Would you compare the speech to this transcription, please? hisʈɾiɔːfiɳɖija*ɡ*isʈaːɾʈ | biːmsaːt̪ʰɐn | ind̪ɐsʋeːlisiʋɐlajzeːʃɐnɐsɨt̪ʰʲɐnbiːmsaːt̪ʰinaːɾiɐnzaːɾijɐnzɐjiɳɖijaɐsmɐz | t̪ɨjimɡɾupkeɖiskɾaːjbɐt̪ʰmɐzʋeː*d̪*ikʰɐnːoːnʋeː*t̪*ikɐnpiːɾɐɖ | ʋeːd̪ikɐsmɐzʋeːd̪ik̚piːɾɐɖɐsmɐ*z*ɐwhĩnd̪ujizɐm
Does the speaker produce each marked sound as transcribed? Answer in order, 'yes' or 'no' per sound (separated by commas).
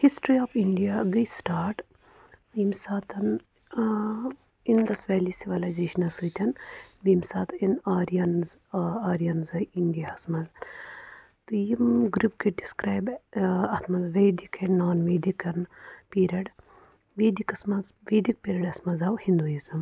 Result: yes, yes, no, yes